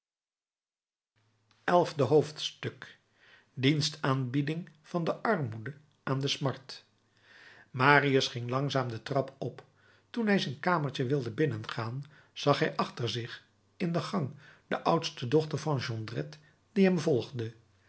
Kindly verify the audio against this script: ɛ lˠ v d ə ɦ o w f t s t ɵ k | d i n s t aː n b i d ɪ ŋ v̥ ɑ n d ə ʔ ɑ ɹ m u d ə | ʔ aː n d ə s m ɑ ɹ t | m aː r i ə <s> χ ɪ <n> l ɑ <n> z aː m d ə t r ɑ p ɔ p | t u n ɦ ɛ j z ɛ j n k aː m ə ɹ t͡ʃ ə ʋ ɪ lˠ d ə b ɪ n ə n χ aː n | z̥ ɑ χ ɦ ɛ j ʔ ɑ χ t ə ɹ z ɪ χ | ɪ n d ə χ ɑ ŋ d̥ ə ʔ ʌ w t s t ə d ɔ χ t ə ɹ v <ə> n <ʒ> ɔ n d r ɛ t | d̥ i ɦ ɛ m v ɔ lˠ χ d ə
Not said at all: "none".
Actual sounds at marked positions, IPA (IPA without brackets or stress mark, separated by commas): s, ŋ, ŋ, ɑ, ʒ